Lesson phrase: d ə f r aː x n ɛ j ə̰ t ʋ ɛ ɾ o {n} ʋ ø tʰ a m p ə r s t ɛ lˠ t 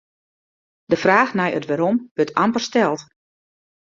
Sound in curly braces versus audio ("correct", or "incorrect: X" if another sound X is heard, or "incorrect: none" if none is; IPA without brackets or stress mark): incorrect: m